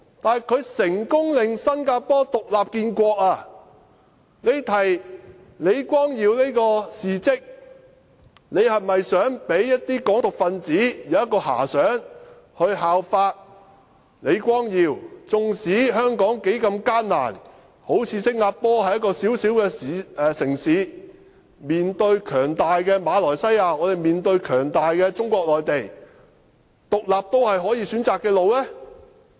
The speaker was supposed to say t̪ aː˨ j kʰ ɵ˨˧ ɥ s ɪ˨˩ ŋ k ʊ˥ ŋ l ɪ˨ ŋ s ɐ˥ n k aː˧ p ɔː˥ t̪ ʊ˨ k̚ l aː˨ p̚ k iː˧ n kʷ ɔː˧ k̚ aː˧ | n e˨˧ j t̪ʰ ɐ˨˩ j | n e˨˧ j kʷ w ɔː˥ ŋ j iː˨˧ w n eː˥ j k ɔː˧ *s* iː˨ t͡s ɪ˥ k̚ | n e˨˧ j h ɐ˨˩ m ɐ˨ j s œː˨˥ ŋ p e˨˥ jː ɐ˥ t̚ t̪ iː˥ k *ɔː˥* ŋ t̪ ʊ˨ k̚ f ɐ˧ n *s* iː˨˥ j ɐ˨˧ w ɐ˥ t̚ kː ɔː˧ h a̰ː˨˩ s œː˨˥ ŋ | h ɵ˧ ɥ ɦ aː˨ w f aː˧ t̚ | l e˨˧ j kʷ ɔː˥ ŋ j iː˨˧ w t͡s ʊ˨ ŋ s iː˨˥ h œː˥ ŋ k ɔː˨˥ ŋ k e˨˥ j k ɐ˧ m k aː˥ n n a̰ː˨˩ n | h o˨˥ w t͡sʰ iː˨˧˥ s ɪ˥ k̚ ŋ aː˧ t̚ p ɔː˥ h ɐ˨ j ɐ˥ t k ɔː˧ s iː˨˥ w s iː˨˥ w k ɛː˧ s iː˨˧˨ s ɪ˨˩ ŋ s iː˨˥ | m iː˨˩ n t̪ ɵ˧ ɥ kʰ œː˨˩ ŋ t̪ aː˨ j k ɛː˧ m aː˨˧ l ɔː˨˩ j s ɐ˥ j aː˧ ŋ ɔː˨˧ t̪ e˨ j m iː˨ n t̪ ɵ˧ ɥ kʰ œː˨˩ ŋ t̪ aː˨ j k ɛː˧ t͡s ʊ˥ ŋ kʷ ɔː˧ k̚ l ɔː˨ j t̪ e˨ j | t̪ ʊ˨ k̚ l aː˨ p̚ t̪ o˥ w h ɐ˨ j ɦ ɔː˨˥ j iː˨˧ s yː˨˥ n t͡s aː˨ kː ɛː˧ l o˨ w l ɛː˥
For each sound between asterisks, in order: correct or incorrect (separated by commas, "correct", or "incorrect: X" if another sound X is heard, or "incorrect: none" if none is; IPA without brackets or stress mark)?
correct, incorrect: ɔː˨˥, incorrect: t͡s